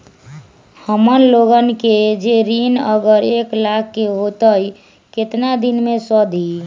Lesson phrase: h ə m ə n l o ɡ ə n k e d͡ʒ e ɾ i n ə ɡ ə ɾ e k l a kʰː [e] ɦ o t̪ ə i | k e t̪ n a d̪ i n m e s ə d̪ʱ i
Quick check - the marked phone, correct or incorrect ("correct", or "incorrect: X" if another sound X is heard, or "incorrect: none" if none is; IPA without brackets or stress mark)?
correct